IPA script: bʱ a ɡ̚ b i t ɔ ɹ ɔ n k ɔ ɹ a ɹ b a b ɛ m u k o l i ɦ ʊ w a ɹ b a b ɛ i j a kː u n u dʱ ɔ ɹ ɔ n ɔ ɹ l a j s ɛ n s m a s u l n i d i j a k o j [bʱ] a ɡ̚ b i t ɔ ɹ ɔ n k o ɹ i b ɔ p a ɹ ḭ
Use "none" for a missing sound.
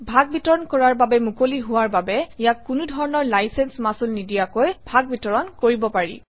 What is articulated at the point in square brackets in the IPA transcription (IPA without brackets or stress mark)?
bʱ